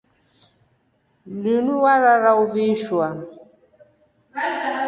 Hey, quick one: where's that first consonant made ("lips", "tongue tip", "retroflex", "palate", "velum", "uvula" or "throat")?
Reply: tongue tip